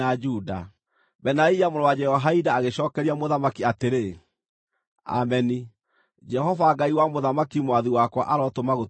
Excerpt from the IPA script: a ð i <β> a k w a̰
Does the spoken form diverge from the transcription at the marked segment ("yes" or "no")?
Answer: yes